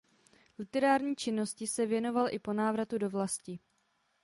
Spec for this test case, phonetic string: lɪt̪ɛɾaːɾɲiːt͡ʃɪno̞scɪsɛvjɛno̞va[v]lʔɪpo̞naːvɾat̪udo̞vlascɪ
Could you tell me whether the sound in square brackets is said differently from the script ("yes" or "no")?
yes